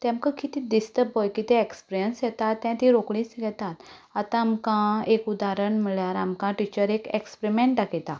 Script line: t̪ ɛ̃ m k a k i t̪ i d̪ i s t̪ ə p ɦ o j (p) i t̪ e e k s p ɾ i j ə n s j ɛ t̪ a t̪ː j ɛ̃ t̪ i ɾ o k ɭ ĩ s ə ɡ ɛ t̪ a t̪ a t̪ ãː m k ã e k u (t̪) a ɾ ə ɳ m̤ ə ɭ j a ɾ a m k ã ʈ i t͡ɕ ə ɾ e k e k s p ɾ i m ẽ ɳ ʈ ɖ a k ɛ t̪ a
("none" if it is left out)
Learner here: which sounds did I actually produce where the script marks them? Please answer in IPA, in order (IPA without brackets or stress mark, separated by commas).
k, d̪